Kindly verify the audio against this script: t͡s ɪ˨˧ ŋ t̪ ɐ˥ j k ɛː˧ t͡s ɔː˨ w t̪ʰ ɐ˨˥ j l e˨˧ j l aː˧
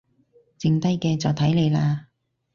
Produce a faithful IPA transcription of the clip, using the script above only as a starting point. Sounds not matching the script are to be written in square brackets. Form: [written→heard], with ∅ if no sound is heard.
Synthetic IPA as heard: t͡s ɪ˨˧ ŋ t̪ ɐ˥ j k ɛː˧ t͡s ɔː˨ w t̪ʰ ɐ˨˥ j l e˨˧ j l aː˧

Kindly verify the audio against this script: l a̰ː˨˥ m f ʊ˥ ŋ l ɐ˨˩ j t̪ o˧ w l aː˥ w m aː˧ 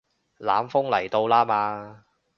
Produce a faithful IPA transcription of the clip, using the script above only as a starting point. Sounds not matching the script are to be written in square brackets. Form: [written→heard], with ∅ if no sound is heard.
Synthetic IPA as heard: l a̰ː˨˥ m f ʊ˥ ŋ l ɐ˨˩ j t̪ o˧ w l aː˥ [w→∅] m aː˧

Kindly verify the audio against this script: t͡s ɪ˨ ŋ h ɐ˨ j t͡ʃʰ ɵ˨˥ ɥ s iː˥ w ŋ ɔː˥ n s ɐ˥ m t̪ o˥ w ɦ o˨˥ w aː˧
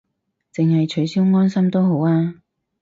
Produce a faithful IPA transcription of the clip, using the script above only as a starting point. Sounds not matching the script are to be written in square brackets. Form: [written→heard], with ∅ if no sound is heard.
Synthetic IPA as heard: t͡s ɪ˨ ŋ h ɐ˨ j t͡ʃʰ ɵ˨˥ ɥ s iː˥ w ŋ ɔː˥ n s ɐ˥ m t̪ o˥ w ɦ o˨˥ w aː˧

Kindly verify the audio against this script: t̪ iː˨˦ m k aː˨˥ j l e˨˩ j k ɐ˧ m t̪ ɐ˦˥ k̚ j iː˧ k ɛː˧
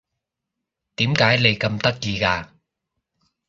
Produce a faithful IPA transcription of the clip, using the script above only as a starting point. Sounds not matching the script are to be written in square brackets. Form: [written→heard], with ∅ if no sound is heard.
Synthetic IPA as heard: t̪ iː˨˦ m k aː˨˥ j l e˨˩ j k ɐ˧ m t̪ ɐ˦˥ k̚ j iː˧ k [ɛː˧→aː˧]

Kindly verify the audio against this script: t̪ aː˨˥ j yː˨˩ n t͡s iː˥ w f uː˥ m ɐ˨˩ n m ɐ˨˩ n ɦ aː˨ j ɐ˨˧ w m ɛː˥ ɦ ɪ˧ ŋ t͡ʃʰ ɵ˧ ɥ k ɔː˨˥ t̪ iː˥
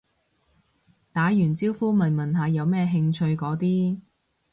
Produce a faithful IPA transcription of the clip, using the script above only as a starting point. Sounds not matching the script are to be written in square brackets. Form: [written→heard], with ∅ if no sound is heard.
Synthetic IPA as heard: t̪ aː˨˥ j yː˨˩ n t͡s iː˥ w f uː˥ m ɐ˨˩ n m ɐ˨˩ n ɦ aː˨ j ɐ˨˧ w m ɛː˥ ɦ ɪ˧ ŋ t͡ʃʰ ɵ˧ ɥ k ɔː˨˥ t̪ iː˥

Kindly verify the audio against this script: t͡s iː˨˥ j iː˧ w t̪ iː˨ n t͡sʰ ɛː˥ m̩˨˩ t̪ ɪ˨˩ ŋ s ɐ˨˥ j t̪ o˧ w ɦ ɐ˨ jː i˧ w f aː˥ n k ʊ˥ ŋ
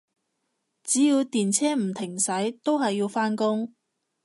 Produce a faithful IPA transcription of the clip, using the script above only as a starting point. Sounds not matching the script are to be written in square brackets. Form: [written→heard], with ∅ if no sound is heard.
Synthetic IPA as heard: t͡s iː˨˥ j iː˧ w t̪ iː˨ n t͡sʰ ɛː˥ m̩˨˩ [t̪→t̪ʰ] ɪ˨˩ ŋ s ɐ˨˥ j t̪ [o˧→o˥] w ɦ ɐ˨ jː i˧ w f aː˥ n k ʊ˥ ŋ

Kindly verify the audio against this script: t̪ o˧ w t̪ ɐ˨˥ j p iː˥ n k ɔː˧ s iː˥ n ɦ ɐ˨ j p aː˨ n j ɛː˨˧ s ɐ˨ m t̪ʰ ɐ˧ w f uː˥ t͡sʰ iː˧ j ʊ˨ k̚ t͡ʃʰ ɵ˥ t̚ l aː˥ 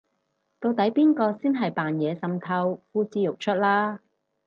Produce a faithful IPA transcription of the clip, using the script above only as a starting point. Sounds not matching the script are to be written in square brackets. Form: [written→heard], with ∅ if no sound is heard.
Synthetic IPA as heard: t̪ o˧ w t̪ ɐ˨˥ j p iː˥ n k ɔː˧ s iː˥ n ɦ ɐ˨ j p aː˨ n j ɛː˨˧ s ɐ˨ m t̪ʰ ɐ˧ w f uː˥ [t͡sʰ→t͡s] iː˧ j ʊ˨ k̚ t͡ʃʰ ɵ˥ t̚ l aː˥

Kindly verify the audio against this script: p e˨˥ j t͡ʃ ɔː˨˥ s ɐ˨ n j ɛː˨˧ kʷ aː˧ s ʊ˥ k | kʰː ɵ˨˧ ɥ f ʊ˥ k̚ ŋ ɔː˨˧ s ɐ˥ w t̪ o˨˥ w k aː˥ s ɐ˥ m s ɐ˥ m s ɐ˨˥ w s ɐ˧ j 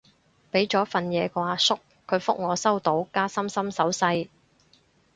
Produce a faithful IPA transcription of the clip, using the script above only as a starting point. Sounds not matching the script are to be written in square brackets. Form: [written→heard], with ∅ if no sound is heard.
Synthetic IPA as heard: p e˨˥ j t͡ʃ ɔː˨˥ [s→f] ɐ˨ n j ɛː˨˧ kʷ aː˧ s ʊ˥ k | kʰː ɵ˨˧ ɥ f ʊ˥ k̚ ŋ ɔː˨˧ s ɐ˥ w t̪ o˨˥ w k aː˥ s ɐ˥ m s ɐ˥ m s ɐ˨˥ w s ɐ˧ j

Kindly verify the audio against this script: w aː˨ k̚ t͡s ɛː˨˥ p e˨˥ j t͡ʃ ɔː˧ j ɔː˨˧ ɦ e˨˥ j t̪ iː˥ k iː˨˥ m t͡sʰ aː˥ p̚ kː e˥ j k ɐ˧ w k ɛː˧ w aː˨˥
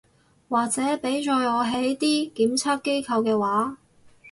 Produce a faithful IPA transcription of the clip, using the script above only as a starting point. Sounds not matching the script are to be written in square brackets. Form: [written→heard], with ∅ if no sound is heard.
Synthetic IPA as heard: w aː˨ k̚ t͡s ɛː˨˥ p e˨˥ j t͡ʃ ɔː˧ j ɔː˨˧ ɦ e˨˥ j t̪ iː˥ k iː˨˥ m t͡sʰ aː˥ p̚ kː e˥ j [k→kʰ] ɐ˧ w k ɛː˧ w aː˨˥

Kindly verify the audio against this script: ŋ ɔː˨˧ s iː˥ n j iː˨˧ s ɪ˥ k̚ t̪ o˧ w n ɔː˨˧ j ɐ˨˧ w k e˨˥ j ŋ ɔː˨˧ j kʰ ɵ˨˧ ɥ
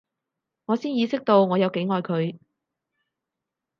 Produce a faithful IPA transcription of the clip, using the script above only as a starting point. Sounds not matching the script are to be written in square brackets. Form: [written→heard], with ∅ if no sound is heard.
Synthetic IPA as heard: ŋ ɔː˨˧ s iː˥ n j iː˨˧ s ɪ˥ k̚ t̪ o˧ w [n→ŋ] ɔː˨˧ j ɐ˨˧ w k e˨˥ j ŋ ɔː˨˧ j kʰ ɵ˨˧ ɥ

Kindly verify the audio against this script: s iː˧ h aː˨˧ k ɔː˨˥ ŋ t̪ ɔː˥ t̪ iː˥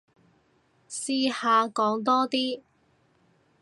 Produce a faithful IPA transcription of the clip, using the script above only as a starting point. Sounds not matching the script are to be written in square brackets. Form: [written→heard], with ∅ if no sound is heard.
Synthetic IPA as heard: s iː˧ h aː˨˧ k ɔː˨˥ ŋ t̪ ɔː˥ t̪ iː˥

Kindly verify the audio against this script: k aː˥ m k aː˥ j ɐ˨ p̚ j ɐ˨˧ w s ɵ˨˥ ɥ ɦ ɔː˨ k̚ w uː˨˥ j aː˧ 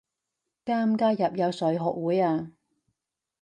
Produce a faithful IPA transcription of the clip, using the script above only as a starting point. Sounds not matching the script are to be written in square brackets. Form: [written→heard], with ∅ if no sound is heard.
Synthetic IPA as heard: k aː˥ m k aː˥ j ɐ˨ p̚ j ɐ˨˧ w s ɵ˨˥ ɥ ɦ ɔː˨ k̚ w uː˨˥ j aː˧

